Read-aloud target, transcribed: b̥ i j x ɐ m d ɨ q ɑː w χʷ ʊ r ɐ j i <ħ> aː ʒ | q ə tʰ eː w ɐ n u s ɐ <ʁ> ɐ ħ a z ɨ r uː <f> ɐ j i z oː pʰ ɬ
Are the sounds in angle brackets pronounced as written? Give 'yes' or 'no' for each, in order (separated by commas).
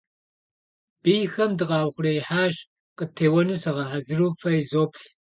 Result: yes, yes, yes